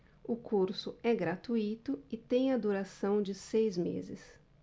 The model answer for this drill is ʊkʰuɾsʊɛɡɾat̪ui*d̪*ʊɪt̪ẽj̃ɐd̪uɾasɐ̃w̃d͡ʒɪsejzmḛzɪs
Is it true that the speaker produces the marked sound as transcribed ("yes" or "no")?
no